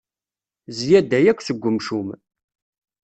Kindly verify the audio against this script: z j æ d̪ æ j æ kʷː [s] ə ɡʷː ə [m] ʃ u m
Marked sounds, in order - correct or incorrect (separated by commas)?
correct, correct